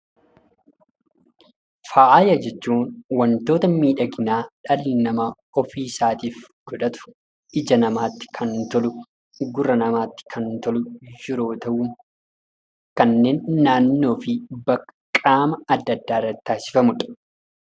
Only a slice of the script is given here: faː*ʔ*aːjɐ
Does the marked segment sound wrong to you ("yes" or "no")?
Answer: no